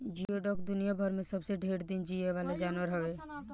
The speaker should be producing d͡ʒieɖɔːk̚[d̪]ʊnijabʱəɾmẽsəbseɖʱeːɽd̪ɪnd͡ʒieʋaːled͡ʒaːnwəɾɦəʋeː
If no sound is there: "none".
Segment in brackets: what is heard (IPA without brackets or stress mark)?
d̪